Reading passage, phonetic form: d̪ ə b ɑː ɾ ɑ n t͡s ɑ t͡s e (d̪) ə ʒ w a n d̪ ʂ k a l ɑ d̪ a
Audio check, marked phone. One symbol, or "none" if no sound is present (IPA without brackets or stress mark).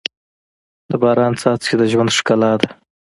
d̪